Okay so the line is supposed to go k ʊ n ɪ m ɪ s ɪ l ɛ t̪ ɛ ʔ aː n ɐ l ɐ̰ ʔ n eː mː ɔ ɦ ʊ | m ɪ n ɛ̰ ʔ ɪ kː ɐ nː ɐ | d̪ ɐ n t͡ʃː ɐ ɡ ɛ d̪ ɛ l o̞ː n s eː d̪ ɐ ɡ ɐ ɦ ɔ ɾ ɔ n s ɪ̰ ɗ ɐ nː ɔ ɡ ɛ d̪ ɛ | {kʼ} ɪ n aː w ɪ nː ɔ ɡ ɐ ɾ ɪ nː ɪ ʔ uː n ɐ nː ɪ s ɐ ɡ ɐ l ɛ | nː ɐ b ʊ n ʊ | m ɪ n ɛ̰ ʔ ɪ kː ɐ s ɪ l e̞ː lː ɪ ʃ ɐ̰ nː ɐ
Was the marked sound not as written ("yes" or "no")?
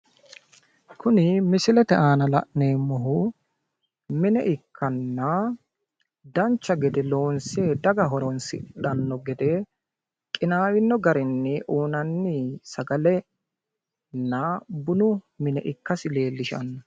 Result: no